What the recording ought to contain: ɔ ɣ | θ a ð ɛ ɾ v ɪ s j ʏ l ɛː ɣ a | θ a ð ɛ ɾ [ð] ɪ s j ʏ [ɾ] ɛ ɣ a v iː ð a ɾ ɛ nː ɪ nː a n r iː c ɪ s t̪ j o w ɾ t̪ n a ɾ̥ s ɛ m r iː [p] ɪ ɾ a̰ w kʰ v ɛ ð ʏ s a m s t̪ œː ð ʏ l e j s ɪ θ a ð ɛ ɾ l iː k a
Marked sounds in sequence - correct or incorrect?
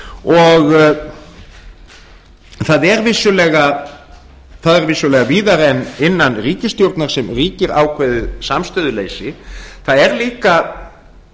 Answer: incorrect: v, incorrect: l, incorrect: c

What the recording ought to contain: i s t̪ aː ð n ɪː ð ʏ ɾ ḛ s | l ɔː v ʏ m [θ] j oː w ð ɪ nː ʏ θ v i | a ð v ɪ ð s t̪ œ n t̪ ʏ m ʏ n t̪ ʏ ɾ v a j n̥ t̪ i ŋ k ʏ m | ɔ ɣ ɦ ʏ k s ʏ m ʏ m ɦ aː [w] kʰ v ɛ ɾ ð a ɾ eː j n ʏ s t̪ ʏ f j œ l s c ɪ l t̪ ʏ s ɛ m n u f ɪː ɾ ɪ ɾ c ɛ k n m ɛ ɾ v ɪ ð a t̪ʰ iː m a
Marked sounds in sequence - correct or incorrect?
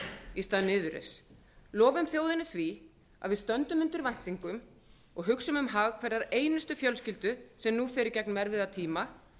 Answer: correct, incorrect: ɣ

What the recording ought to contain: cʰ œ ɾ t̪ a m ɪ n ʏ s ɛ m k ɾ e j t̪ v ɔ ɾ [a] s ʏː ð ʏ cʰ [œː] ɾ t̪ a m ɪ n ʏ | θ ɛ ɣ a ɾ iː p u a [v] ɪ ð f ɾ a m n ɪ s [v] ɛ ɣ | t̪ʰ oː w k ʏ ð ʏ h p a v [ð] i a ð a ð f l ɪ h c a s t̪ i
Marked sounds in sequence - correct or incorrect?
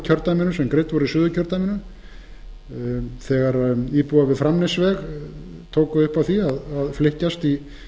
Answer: incorrect: i, incorrect: œ, correct, correct, incorrect: θ

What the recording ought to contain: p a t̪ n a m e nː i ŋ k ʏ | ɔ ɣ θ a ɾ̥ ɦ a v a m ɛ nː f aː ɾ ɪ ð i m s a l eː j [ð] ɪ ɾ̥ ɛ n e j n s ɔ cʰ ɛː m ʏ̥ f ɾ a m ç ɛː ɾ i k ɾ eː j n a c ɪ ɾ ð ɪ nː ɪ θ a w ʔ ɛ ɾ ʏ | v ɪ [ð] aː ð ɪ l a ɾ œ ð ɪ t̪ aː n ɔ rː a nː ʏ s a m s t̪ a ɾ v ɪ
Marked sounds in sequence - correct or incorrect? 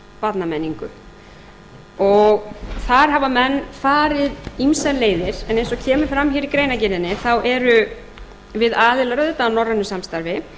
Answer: correct, correct

